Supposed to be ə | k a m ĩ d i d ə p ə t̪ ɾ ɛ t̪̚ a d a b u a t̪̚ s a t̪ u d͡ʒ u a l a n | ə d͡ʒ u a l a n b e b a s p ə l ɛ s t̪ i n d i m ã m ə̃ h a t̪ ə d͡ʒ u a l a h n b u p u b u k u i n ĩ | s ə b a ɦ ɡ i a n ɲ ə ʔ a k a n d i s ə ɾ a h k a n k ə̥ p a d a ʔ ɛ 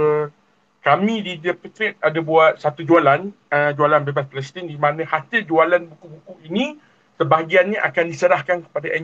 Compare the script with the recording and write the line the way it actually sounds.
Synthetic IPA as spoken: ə | k a m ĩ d i d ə p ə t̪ ɾ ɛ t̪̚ a d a b u a t̪̚ s a t̪ u d͡ʒ u a l a n | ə d͡ʒ u a l a n b e b a s p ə l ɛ s t̪ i n d i m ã n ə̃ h a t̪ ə d͡ʒ u a l a n b u k u b u k u i n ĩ | s ə b a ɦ ɡ i a n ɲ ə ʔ a k a n d i s ə ɾ a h k a n k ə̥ p a d a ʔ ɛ